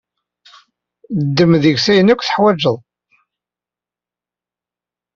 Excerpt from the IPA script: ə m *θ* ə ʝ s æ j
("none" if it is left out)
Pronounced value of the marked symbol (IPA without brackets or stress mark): ð